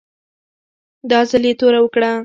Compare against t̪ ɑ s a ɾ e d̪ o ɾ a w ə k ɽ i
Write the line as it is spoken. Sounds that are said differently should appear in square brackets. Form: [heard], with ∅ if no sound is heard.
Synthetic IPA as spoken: [d̪] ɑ [z] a [l] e [t̪] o ɾ a w ə k ɽ [a]